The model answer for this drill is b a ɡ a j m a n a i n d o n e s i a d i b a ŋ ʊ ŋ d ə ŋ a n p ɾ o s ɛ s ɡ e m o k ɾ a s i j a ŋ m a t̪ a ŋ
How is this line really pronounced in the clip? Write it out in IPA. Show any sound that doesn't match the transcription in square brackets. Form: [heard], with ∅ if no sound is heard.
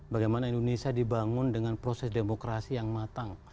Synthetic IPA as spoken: b a ɡ a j m a n a i n d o n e s i a d i b a ŋ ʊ [n] d ə ŋ a n p ɾ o s ɛ s [d] e m o k ɾ a s i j a ŋ m a t̪ a ŋ